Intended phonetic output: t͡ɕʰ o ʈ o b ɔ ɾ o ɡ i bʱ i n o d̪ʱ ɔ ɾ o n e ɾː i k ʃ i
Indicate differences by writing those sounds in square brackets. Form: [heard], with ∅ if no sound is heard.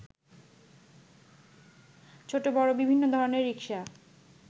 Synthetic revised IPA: t͡ɕʰ o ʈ o b ɔ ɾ o [b] i bʱ i [nː] o d̪ʱ ɔ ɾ o n e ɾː i k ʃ [a]

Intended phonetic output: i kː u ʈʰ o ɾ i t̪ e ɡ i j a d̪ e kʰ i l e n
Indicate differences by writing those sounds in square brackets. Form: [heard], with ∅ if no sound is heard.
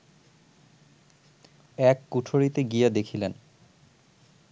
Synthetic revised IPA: [ɛ] kː u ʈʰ o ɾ i t̪ e ɡ i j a d̪ e kʰ i l e n

